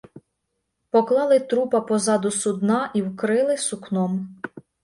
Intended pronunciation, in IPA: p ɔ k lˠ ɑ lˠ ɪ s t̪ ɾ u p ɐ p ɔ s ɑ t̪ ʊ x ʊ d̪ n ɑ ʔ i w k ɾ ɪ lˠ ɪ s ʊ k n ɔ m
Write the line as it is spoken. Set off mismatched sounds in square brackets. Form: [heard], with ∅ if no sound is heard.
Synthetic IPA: p ɔ k lˠ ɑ lˠ ɪ [∅] t̪ ɾ u p ɐ p ɔ [z] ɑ [d̪] ʊ [s] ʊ d̪ n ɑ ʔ i w k ɾ ɪ lˠ ɪ s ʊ k n ɔ m